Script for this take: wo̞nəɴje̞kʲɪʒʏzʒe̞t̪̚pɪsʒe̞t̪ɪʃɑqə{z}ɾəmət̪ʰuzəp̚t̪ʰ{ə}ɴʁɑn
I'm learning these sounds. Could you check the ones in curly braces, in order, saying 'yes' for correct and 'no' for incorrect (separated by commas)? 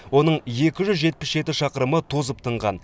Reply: no, yes